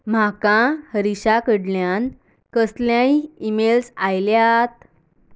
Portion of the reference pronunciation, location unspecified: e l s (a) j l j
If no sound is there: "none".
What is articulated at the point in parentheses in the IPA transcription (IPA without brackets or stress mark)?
a